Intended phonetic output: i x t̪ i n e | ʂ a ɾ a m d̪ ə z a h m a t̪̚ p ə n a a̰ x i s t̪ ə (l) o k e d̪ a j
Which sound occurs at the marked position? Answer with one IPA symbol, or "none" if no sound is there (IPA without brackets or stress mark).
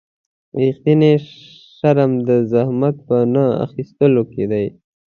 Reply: l